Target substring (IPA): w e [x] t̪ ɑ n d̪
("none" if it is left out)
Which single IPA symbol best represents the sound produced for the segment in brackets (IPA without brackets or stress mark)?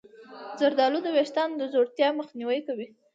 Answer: ʃ